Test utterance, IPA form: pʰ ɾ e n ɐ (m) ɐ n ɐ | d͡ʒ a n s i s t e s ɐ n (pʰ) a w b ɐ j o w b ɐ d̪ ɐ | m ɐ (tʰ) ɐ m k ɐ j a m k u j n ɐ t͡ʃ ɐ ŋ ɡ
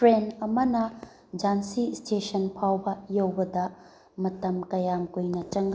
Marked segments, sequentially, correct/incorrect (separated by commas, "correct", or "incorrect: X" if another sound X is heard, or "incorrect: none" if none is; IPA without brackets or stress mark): correct, correct, incorrect: t